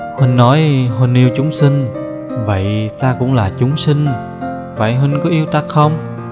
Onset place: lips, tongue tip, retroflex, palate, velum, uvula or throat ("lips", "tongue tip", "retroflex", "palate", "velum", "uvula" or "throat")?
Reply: throat